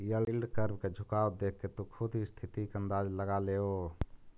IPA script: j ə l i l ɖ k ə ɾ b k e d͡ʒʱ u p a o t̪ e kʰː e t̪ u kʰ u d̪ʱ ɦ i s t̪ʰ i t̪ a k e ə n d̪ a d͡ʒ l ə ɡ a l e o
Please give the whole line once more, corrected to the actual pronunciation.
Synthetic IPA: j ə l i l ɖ k ə ɾ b k e d͡ʒʱ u k a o d̪ e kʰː e t̪ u kʰ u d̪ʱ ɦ i s t̪ʰ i t̪ i k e ə n d̪ a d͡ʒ l ə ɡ a l e o